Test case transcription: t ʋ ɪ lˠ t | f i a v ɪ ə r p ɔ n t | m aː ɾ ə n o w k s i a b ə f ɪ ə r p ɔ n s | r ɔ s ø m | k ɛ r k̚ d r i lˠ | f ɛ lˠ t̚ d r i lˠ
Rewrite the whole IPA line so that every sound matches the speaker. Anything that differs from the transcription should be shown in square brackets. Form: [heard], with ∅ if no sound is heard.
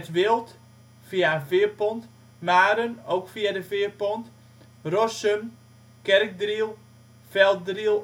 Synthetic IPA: t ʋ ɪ lˠ t | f i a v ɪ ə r p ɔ n t | m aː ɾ ə n o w k [f] i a [d] ə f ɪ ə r p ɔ n [t] | r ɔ s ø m | k ɛ r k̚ d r i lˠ | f ɛ lˠ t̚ d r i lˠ